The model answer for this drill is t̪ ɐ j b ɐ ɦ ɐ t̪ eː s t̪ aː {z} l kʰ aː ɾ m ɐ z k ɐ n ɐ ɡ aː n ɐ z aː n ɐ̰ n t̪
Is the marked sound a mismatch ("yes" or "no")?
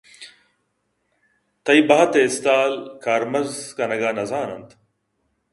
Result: yes